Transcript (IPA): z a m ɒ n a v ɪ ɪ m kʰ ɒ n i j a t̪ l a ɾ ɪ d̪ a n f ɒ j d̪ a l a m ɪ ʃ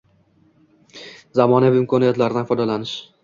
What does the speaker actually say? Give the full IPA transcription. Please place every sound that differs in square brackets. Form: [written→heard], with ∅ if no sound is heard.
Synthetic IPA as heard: z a m ɒ n a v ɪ ɪ m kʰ ɒ n i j a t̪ l a ɾ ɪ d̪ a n f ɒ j d̪ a l a [m→n] ɪ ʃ